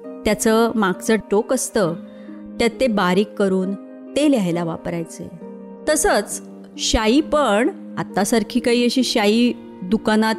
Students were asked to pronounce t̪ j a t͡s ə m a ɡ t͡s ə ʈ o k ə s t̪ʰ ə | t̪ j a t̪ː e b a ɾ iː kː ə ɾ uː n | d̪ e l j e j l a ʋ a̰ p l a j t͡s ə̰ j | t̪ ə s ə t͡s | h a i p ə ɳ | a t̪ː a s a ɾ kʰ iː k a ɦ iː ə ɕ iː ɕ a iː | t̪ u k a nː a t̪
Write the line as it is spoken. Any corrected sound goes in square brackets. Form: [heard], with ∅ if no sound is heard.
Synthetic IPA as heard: t̪ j a t͡s ə m a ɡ t͡s ə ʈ o k ə s [t̪] ə | t̪ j a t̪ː e b a ɾ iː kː ə ɾ uː n | [t̪] e l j [a] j l a ʋ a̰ p [ɾ] a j t͡s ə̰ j | t̪ ə s ə t͡s | [ɕ] a i p ə ɳ | a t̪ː a s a ɾ kʰ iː k a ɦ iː ə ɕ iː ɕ a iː | [d̪] u k a [n] a t̪